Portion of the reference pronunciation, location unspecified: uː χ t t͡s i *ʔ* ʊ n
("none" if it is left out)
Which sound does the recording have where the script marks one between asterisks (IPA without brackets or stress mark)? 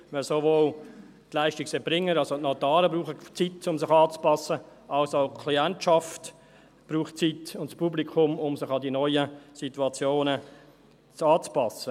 t